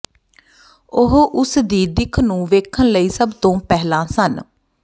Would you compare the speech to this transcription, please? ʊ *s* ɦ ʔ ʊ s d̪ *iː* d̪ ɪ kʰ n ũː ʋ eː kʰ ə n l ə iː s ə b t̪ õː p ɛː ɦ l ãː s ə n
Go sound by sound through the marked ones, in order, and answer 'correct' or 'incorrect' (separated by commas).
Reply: incorrect, correct